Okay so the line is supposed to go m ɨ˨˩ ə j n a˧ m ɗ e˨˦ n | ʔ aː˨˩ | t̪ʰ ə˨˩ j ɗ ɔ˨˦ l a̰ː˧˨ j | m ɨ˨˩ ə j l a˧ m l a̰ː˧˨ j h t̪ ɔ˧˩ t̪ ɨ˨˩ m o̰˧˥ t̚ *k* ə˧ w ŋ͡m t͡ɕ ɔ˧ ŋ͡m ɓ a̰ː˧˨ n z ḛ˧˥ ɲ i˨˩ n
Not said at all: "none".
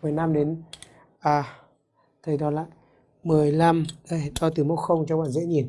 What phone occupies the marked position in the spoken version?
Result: x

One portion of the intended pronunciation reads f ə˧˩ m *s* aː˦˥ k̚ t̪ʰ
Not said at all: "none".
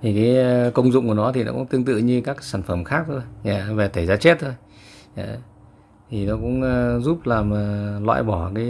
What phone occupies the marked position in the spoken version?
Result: x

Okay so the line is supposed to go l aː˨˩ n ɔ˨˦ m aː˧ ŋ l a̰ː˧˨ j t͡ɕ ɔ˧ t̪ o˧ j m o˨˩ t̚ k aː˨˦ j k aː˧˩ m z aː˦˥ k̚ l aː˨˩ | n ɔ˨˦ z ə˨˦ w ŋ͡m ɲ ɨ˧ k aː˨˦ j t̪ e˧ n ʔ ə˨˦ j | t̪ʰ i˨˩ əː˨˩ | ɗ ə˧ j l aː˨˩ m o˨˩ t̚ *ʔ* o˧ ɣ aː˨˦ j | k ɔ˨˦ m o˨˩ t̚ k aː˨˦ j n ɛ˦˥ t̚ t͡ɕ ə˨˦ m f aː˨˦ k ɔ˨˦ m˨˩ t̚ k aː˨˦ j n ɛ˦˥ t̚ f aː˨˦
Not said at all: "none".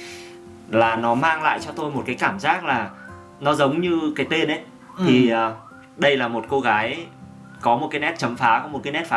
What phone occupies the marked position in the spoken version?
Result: k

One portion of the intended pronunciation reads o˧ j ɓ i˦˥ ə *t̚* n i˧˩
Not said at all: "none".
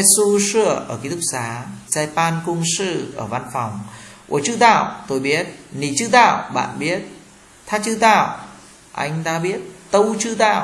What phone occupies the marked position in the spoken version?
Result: t̚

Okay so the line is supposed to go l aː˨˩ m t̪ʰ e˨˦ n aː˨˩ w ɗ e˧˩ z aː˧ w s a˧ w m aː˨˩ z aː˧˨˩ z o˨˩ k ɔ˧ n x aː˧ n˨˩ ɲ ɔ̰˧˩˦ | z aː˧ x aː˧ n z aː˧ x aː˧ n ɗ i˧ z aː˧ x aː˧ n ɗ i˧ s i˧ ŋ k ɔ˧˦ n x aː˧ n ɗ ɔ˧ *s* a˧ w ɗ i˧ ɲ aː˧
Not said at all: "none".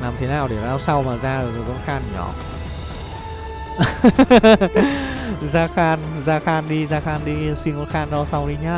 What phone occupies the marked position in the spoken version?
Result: s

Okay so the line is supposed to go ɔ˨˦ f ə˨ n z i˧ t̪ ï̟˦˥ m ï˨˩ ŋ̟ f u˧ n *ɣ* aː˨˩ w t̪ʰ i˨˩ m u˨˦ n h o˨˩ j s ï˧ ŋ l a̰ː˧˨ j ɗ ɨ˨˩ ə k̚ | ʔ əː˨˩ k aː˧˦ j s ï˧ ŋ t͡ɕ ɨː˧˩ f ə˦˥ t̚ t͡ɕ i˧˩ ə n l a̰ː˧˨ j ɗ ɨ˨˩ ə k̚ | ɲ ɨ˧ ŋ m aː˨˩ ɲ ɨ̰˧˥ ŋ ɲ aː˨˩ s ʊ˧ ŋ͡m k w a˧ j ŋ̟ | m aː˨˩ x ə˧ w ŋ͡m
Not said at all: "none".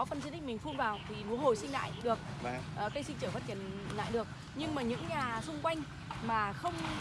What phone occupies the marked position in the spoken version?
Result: v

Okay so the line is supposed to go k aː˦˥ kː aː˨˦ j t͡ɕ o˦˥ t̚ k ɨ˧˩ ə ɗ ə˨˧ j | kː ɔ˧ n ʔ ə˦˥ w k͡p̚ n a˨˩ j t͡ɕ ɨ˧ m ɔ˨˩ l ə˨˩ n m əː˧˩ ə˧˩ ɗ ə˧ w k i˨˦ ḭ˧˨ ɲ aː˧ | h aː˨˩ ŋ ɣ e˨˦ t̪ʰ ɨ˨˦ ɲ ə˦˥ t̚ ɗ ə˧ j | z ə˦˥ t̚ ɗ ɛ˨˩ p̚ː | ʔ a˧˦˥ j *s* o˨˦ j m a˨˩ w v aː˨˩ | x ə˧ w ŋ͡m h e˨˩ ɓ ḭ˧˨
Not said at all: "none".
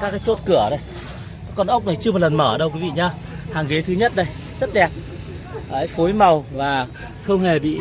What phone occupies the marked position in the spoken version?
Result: f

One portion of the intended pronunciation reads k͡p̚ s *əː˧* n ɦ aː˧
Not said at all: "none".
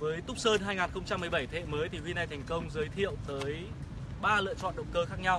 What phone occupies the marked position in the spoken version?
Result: əː˧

